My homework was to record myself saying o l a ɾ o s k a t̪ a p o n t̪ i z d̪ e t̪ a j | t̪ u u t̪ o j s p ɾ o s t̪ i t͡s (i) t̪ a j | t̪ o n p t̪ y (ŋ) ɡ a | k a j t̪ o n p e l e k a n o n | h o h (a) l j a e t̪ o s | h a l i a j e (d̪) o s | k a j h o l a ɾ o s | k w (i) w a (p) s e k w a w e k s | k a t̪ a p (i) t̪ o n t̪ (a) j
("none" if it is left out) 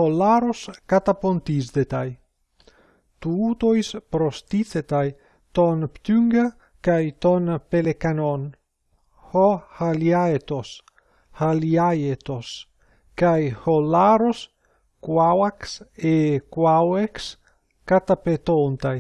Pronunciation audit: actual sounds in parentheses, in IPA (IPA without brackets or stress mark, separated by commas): e, ŋ, a, t̪, a, k, e, a